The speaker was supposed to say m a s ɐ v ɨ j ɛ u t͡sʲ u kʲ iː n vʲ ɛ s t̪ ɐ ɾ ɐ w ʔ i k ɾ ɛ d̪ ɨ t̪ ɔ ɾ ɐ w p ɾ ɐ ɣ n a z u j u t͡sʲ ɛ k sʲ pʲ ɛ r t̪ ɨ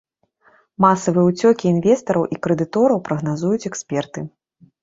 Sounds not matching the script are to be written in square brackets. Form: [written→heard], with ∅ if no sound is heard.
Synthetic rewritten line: m a s ɐ v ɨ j ɛ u t͡sʲ [u→ɔ] kʲ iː n vʲ ɛ s t̪ ɐ ɾ ɐ w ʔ i k ɾ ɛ d̪ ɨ t̪ ɔ ɾ ɐ w p ɾ ɐ ɣ n a z u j u t͡sʲ ɛ k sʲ pʲ ɛ r t̪ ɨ

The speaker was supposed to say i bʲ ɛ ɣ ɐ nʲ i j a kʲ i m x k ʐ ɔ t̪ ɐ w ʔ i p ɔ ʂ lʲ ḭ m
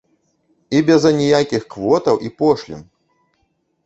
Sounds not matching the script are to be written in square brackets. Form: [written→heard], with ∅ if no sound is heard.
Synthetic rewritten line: i bʲ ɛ [ɣ→z] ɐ nʲ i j a kʲ i [m→∅] x k [ʐ→v] ɔ t̪ ɐ w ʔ i p ɔ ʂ lʲ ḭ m

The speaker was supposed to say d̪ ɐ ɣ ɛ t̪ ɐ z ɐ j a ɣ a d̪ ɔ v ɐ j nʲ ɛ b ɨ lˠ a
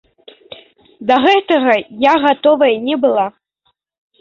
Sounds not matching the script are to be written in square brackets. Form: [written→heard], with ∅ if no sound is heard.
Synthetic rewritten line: d̪ ɐ ɣ ɛ t̪ ɐ [z→ɣ] ɐ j a ɣ a [d̪→t̪] ɔ v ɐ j nʲ ɛ b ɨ lˠ a

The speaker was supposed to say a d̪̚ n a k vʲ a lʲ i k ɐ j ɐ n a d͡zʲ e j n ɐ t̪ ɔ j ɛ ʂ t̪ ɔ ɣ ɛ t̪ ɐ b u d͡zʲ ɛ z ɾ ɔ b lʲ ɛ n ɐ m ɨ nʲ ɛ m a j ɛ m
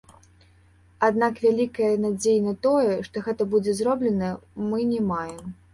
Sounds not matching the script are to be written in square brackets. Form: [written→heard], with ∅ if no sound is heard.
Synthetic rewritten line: a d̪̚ n a k vʲ a lʲ i k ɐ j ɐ n a d͡zʲ e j n ɐ t̪ ɔ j ɛ ʂ t̪ ɔ ɣ ɛ t̪ ɐ b u d͡zʲ ɛ z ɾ ɔ b lʲ ɛ n ɐ m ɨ nʲ ɛ m a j ɛ m

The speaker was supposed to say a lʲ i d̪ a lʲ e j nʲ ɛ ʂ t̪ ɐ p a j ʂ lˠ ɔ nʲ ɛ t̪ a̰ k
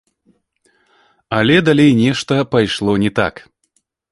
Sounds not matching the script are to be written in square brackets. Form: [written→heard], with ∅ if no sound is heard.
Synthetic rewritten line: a lʲ [i→ɛ] d̪ a lʲ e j nʲ ɛ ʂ t̪ ɐ p a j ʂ lˠ ɔ nʲ ɛ t̪ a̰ k

